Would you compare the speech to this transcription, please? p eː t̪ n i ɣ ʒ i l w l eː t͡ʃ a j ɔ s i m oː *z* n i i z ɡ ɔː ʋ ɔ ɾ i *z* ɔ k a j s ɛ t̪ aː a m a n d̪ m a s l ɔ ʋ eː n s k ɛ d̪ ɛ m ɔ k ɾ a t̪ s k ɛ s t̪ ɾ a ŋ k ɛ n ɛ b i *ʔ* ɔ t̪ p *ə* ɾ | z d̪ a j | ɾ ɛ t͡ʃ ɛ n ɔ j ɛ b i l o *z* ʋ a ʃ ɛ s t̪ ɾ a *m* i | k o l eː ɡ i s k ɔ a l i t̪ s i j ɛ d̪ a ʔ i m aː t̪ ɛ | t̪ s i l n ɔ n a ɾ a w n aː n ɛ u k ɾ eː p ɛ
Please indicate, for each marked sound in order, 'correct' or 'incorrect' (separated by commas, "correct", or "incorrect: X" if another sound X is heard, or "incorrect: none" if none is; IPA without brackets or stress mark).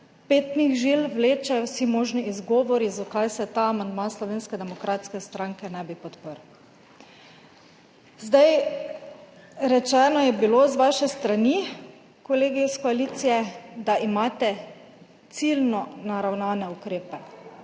incorrect: ʒ, correct, incorrect: p, correct, correct, incorrect: n